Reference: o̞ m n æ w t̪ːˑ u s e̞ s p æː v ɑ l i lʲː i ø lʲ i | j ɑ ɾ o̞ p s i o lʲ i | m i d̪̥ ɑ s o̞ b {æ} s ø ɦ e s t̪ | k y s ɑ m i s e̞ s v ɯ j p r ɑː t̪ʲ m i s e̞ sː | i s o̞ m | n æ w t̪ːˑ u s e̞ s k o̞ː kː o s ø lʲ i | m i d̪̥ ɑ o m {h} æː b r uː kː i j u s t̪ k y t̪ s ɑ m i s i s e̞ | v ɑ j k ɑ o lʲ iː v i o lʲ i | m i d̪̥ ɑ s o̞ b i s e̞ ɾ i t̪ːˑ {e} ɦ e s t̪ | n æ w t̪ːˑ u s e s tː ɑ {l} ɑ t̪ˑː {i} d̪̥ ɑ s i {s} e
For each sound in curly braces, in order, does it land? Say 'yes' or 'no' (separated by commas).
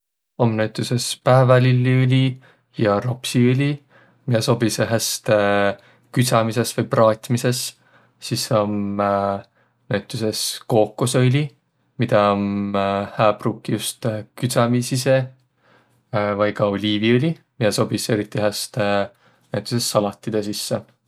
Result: no, yes, no, yes, yes, no